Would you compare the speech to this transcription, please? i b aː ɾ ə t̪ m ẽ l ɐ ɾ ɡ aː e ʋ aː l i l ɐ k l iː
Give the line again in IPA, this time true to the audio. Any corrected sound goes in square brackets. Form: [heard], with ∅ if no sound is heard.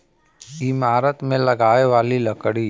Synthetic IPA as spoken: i [m] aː ɾ ə t̪ m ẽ l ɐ [∅] ɡ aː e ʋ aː l i l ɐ k [ɽ] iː